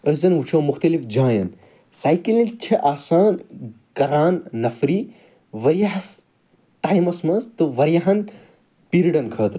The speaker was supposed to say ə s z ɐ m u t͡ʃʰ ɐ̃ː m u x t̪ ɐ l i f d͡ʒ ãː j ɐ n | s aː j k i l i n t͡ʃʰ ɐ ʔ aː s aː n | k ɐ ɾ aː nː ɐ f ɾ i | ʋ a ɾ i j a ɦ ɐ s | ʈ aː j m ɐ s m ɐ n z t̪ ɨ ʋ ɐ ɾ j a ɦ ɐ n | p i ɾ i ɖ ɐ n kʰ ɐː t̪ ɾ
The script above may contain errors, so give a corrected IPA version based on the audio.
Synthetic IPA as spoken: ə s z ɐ n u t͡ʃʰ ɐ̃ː m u x t̪ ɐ l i f d͡ʒ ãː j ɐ n | s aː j k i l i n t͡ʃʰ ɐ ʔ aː s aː n | k ɐ ɾ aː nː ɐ f ɾ i | ʋ ɐ ɾ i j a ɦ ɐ s | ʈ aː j m ɐ s m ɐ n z t̪ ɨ ʋ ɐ ɾ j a ɦ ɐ n | p i ɾ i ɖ ɐ n kʰ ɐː t̪ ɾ